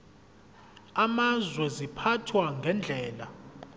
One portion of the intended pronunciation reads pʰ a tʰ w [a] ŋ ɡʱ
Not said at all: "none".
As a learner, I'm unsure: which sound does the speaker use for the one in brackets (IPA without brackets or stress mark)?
a